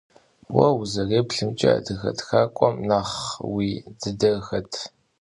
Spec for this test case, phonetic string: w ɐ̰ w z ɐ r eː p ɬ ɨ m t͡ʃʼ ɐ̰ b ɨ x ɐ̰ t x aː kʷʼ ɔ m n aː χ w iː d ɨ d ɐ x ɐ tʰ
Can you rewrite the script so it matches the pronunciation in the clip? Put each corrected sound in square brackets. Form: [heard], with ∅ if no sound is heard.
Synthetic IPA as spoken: w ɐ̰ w z ɐ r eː p ɬ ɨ m t͡ʃʼ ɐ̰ [d] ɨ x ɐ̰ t x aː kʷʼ ɔ m n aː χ w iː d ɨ d ɐ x ɐ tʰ